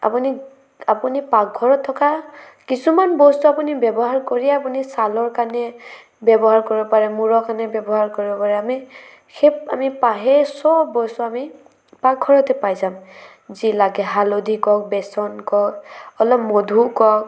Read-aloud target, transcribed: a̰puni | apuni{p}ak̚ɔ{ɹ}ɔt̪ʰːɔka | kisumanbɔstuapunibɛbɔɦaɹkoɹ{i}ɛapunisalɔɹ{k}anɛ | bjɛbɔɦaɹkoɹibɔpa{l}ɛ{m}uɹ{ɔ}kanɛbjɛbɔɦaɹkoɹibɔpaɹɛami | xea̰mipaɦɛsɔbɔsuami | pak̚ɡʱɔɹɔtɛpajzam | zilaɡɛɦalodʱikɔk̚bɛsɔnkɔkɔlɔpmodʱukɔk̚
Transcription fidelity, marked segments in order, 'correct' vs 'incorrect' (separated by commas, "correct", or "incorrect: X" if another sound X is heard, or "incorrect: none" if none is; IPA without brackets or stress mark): correct, correct, correct, correct, incorrect: ɹ, correct, correct